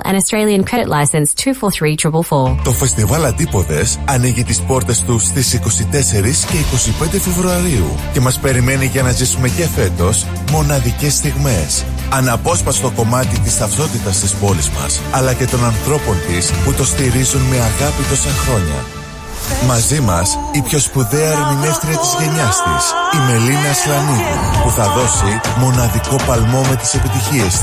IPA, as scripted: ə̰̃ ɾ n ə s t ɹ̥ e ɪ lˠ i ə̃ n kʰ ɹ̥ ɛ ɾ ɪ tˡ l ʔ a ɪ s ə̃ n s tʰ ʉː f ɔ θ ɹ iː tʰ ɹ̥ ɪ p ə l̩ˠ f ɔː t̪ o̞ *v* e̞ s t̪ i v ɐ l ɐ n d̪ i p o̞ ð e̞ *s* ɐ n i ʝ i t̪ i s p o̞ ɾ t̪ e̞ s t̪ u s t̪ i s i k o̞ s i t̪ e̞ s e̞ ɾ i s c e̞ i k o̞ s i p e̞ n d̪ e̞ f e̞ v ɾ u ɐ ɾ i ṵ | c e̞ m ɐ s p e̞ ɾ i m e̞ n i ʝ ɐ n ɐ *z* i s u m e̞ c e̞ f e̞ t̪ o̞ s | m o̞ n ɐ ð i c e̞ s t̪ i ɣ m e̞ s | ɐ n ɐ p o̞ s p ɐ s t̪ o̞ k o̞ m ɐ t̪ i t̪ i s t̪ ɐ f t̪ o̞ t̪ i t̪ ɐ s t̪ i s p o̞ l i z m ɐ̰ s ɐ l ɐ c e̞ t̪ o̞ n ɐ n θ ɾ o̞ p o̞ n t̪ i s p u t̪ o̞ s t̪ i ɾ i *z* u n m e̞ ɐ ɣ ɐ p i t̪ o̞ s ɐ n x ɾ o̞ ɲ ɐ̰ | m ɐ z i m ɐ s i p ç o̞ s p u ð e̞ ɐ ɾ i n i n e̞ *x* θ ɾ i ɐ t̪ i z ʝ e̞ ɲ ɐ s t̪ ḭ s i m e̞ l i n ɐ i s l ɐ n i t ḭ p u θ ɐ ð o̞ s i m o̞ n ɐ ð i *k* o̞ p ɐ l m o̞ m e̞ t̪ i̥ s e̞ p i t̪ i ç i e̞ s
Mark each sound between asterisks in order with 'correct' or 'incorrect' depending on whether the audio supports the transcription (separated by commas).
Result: incorrect, correct, correct, correct, incorrect, correct